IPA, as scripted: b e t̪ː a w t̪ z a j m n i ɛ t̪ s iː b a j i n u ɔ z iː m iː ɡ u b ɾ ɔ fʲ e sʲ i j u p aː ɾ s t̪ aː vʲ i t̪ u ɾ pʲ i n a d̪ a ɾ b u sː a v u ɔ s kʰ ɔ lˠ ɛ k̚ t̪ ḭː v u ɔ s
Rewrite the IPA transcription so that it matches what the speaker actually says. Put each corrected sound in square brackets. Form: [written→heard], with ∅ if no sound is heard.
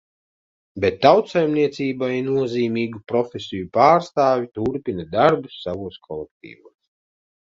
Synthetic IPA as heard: b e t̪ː a w t̪ [z→s] a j m n i ɛ t̪ s iː b a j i n u ɔ z iː m iː ɡ u [b→p] ɾ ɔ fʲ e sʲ i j u p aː ɾ s t̪ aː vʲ i t̪ u ɾ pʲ i n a d̪ a ɾ b u sː a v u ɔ s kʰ ɔ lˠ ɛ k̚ t̪ ḭː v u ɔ s